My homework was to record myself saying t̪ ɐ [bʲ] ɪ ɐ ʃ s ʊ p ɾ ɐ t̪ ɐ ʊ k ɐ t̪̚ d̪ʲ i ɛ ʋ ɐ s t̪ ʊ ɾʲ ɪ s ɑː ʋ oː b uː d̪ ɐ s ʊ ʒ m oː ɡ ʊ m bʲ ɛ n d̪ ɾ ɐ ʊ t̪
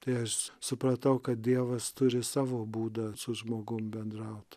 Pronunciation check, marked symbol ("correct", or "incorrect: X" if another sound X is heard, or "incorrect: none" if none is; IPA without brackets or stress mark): incorrect: none